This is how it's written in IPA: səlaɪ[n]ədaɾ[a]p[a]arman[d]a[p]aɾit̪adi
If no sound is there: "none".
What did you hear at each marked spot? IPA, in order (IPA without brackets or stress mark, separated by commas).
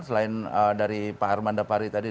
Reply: n, i, a, d, p